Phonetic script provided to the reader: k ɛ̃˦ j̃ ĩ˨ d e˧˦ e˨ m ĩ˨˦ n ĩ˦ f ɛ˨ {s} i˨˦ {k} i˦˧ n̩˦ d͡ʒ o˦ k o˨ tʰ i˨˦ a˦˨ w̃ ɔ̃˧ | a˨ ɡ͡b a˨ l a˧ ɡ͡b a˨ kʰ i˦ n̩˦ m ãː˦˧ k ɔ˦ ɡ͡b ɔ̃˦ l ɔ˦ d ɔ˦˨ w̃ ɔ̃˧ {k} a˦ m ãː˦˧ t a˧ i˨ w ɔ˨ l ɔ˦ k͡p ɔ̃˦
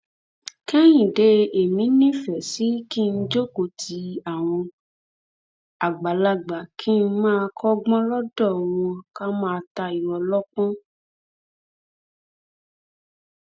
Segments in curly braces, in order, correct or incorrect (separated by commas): correct, correct, correct